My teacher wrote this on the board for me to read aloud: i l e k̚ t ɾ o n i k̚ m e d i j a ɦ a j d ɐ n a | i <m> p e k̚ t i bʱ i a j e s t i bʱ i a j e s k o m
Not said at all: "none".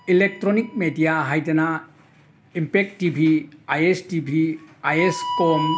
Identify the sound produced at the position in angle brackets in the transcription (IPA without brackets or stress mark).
m